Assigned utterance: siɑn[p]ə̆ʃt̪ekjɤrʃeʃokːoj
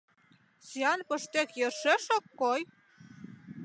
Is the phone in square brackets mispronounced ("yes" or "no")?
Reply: no